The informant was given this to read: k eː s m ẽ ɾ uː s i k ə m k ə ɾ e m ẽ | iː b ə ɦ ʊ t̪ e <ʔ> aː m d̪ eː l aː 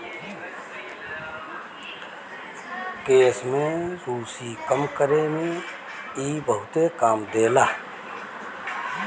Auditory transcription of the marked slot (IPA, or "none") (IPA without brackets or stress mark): k